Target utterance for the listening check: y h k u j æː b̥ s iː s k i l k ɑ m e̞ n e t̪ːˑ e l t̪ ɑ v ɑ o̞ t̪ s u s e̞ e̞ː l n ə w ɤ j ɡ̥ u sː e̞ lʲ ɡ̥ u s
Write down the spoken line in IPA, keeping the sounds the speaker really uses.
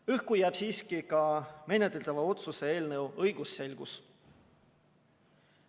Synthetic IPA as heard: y h k u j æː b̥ s iː s k i k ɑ m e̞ n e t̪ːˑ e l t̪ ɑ v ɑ o̞ t̪ s u s e̞ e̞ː l n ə w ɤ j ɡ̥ u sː e̞ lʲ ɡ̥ u s